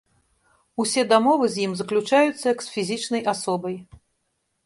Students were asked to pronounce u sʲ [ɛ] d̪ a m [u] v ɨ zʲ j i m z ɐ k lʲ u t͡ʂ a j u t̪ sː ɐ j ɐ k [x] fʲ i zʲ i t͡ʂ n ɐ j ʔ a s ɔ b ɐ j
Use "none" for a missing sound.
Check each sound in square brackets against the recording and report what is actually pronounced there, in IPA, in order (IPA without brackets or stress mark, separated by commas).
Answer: ɛ, ɔ, s